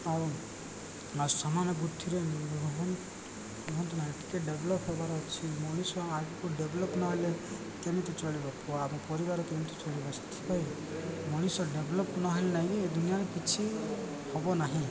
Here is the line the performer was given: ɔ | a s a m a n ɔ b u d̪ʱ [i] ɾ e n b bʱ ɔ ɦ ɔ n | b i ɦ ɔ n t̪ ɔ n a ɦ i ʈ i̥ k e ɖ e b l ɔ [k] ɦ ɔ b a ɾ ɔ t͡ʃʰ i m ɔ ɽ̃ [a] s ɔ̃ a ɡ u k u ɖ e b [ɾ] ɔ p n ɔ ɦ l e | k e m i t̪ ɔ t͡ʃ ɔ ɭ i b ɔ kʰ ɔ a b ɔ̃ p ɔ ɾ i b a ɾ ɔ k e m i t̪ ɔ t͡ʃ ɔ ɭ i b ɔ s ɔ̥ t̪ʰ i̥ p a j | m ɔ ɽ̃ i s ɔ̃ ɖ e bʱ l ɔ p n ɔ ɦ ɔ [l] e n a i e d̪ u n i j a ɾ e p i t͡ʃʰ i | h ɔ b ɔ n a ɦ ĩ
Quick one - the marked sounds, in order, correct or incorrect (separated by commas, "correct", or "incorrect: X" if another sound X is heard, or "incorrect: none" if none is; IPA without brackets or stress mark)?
correct, incorrect: p, incorrect: i, incorrect: l, correct